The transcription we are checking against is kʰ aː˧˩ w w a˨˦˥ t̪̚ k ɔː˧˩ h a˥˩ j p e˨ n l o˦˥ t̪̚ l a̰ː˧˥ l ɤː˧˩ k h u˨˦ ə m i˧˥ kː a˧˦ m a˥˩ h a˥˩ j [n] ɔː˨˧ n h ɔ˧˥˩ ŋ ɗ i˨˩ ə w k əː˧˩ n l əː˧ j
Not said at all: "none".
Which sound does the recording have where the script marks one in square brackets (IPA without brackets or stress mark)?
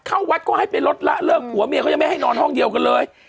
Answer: n